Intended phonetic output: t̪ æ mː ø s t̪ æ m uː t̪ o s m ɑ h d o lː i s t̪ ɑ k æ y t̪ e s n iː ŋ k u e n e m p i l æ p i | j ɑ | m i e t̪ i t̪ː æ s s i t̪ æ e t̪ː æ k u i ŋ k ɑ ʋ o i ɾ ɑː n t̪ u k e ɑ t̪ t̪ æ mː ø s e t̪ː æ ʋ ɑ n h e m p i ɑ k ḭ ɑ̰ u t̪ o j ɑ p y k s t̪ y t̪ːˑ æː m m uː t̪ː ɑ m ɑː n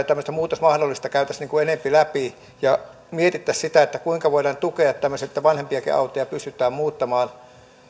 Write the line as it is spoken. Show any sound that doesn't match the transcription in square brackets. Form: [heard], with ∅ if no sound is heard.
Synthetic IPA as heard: t̪ æ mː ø s t̪ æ m uː t̪ o s m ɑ h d o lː i s t̪ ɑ k æ y t̪ [æ] s n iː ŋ k u e n e m p i l æ p i | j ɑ | m i e t̪ i t̪ː æ s s i t̪ æ e t̪ː æ k u i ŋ k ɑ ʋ o i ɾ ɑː n t̪ u k e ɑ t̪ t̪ æ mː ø s e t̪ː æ ʋ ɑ n h e m p i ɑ k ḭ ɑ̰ u t̪ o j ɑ p y [∅] s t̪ y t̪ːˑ æː m m uː t̪ː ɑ m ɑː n